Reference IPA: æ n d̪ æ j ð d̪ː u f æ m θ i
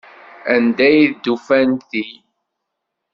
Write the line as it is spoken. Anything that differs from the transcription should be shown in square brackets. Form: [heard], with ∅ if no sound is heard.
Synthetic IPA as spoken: æ n d̪ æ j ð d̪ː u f æ [n] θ i